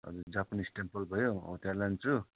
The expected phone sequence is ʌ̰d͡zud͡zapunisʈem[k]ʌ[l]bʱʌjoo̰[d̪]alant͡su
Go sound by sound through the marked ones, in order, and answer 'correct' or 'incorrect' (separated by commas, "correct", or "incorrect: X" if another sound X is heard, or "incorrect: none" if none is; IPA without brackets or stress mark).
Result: incorrect: p, correct, incorrect: t̪